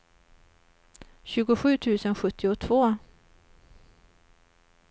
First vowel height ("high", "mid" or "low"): high